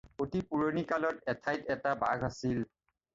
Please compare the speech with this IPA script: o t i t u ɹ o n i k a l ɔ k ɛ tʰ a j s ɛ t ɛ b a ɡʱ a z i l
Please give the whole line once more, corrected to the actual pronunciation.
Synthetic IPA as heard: o t i p u ɹ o n i k a l ɔ t ɛ tʰ a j t ɛ t a b a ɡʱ a s i l

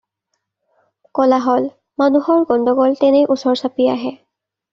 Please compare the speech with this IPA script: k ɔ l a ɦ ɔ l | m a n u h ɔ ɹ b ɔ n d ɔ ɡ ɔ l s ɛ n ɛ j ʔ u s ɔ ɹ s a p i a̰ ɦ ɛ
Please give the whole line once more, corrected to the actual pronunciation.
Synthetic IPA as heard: k ɔ l a ɦ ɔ l | m a n u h ɔ ɹ ɡ ɔ n d ɔ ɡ ɔ l t ɛ n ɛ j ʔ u s ɔ ɹ s a p i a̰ ɦ ɛ

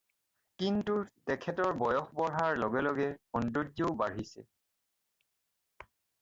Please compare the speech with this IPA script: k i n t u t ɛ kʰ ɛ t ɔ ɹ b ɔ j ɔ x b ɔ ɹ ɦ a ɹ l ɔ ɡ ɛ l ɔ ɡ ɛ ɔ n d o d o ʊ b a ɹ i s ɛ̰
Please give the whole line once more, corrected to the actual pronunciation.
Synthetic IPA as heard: k i n t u t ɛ kʰ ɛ t ɔ ɹ b ɔ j ɔ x b ɔ ɹ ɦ a ɹ l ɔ ɡ ɛ l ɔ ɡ ɛ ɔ n d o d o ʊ b a ɹ i s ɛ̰

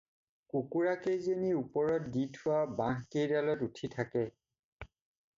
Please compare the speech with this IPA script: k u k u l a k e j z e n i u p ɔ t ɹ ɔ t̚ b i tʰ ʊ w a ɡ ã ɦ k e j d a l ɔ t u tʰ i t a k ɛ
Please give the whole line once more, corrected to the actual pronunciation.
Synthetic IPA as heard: k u k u ɹ a k e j z e n i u p ɔ ɹ ɔ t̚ d i tʰ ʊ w a b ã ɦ k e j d a l ɔ t u tʰ i tʰ a k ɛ

